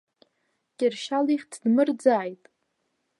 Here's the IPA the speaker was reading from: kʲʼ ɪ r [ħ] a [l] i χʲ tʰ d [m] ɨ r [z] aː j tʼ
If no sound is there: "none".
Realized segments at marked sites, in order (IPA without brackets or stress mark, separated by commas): ʃ, l, m, d͡z